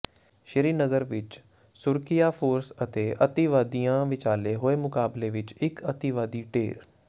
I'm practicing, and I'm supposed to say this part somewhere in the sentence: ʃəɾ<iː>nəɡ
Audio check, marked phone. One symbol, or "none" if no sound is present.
iː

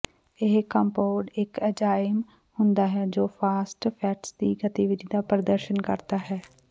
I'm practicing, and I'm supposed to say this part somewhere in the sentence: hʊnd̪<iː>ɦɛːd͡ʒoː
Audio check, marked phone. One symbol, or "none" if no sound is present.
aː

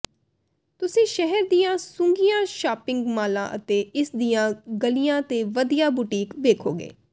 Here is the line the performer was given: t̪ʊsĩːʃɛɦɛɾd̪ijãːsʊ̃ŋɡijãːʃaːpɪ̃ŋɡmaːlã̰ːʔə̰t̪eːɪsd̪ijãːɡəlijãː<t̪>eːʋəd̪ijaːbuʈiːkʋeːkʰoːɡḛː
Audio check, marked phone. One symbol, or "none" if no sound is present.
t̪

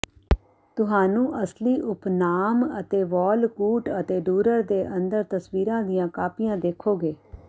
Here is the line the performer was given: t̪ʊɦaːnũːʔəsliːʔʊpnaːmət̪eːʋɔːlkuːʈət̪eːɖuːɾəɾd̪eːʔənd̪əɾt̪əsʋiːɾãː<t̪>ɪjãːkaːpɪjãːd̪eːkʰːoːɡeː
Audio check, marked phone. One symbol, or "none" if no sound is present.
d̪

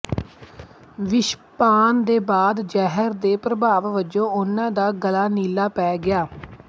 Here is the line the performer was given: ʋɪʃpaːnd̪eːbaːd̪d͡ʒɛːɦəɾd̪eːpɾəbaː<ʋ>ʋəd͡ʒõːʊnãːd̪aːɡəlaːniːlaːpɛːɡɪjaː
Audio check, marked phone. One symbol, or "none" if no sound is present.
ʋ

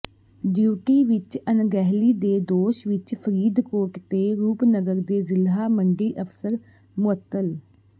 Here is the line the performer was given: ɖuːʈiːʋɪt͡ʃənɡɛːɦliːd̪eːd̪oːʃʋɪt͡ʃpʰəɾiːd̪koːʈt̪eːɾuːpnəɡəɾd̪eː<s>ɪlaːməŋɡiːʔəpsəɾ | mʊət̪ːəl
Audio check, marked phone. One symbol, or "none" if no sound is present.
z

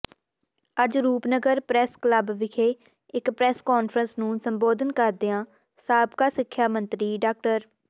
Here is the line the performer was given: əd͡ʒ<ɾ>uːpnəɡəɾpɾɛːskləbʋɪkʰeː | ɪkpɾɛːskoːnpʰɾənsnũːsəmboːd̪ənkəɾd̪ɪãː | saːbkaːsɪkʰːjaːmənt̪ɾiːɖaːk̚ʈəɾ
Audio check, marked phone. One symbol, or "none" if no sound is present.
ɾ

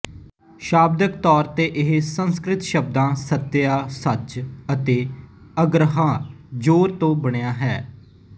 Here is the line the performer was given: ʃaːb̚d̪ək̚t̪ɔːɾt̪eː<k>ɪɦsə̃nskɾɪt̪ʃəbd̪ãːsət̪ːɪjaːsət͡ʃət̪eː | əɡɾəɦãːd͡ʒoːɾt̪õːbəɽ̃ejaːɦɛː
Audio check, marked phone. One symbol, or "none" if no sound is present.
ʔ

